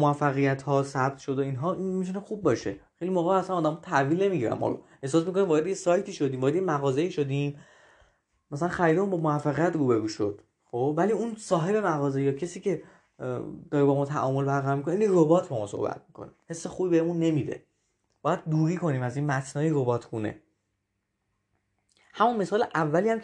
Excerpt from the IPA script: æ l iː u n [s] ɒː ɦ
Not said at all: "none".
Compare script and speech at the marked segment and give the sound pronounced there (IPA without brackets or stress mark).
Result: s